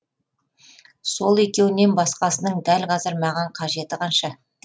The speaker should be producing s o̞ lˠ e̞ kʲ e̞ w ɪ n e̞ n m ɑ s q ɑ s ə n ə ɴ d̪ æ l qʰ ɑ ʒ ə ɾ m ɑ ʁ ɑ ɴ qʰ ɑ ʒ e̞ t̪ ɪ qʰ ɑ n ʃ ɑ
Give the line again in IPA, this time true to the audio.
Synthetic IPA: s o̞ lˠ e̞ kʲ e̞ w ɪ n e̞ n b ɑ s q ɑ s ə n ə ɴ d̪ æ l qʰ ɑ z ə ɾ m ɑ ʁ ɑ ɴ qʰ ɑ ʒ e̞ t̪ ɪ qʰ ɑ n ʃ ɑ